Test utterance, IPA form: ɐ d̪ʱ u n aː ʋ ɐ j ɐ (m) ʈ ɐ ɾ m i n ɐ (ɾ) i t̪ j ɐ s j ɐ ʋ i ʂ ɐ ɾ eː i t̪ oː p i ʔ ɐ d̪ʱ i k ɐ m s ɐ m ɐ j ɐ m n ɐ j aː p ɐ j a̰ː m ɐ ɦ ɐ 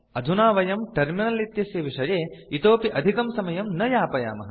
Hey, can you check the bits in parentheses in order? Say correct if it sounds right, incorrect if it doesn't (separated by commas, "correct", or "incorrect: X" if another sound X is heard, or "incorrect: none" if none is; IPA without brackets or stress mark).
correct, incorrect: l